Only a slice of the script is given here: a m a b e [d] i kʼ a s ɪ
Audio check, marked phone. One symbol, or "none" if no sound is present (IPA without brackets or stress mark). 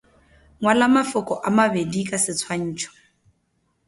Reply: d